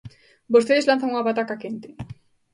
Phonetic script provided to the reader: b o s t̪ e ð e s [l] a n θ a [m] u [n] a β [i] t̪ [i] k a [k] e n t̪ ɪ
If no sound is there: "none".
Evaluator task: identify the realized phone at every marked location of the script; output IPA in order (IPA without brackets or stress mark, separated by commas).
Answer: l, ŋ, ŋ, a, a, k